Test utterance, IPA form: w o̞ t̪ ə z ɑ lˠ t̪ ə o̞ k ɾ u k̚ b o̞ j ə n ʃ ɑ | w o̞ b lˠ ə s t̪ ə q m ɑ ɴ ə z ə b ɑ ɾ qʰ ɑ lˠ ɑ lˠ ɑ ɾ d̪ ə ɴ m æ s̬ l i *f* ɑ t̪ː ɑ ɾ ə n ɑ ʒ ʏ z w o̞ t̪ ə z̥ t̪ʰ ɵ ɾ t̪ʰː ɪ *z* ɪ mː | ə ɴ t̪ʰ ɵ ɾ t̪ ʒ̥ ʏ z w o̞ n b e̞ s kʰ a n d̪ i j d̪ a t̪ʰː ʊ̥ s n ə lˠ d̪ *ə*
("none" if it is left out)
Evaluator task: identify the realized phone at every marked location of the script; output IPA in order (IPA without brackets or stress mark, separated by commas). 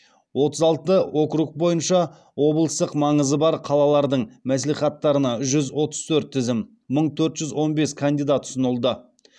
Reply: χ, z, ə